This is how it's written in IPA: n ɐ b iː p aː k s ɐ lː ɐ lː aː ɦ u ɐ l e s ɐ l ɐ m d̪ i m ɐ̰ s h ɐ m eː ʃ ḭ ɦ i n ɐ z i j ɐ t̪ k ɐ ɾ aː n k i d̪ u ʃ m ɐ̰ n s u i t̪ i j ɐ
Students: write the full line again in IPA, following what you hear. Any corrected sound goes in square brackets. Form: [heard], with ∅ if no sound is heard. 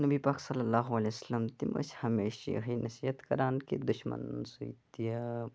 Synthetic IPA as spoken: n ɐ b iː p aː k s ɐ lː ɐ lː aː ɦ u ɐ l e s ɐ l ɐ m [t̪] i m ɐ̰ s h ɐ m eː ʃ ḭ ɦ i n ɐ [s] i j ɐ t̪ k ɐ ɾ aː n k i d̪ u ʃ m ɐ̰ n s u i t̪ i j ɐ